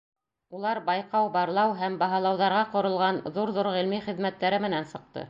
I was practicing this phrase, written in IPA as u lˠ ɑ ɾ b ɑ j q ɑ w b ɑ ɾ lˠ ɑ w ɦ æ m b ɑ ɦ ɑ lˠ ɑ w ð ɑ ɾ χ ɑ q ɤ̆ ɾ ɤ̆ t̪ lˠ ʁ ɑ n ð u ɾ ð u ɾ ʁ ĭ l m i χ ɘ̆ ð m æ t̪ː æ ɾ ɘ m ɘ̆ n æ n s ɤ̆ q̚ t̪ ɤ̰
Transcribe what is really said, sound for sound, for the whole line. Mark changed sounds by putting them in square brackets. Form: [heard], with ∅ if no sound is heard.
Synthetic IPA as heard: u lˠ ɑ ɾ b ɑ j q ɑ w b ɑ ɾ lˠ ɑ w ɦ æ m b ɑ ɦ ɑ lˠ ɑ w ð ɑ ɾ [ʁ] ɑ q [ŏ] ɾ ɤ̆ [∅] lˠ ʁ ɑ n ð u ɾ ð u ɾ ʁ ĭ l m i χ ɘ̆ ð m æ t̪ː æ ɾ ɘ m ɘ̆ n æ n s ɤ̆ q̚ t̪ ɤ̰